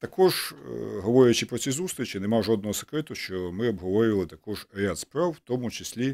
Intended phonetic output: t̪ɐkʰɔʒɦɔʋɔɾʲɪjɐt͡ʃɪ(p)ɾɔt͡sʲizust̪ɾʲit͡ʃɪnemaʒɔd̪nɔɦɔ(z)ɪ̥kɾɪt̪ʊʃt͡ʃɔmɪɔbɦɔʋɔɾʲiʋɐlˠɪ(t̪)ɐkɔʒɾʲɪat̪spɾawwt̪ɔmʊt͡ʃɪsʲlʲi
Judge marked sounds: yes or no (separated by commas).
yes, no, yes